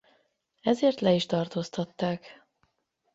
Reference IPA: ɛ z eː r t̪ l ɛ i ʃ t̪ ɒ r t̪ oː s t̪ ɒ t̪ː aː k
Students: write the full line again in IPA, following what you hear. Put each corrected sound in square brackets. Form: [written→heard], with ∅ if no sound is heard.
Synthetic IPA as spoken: ɛ z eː r t̪ l ɛ i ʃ t̪ ɒ r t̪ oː s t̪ ɒ t̪ː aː k